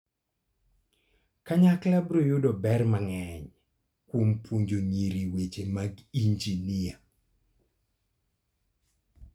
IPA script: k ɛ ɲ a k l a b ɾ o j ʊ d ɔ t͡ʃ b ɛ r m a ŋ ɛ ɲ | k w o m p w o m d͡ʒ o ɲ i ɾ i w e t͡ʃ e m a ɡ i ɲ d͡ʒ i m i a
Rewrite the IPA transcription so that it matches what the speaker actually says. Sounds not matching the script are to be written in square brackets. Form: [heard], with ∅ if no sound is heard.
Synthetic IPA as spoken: k [a] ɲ a k l a b ɾ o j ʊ d ɔ [∅] b ɛ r m a ŋ ɛ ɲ | k w o m p w o [ɲ] d͡ʒ o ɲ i ɾ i w e t͡ʃ e m a ɡ i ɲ d͡ʒ i [n] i a

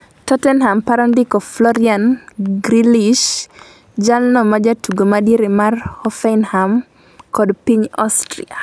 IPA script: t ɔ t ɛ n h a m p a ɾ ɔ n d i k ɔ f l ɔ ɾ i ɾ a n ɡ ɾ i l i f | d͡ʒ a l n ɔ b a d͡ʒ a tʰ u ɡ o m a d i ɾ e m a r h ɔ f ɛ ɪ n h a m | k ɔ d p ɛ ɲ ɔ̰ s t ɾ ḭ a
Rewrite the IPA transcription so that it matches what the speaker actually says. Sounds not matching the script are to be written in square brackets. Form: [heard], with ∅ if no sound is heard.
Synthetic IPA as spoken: t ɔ t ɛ n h a m p a ɾ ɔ n d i k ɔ f l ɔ ɾ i [∅] a n ɡ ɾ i l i [ʃ] | d͡ʒ a l n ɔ [m] a d͡ʒ a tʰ u ɡ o m a d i ɾ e m a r h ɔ f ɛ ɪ n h a m | k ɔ d p [i] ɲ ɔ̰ s t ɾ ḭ a

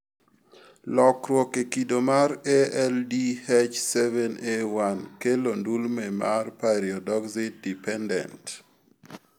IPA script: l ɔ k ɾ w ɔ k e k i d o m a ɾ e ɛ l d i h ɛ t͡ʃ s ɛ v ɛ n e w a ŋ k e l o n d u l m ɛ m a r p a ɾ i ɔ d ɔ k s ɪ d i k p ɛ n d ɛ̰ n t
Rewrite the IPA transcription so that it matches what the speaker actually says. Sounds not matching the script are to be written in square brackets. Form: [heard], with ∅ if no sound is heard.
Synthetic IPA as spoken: l ɔ k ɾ w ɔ k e k i d o m a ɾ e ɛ l d i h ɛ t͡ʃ s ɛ v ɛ n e w a [n] k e l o n d u l m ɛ m a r p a ɾ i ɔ d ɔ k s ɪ d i [∅] p ɛ n d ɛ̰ n t

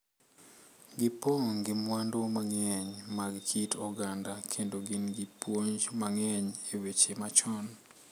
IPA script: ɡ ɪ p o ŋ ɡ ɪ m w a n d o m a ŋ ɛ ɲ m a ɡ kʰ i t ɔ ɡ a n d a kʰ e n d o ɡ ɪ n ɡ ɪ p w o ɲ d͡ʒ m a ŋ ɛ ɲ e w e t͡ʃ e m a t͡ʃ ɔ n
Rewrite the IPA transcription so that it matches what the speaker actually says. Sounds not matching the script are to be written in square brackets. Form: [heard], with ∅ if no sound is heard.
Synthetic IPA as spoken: ɡ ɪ p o ŋ ɡ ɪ m w a n d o m a ŋ ɛ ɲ m a ɡ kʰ i t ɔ ɡ a n d a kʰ e n d o ɡ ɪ n ɡ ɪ p w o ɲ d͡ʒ m a ŋ ɛ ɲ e w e t͡ʃ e m a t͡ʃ ɔ n

